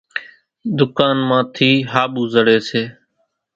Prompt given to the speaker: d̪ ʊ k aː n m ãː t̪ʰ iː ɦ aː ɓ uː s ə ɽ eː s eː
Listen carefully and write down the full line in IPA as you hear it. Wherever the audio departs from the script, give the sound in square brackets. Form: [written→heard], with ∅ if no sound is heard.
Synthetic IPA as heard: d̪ ʊ k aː n m ãː t̪ʰ iː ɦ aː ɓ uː [s→z] ə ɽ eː s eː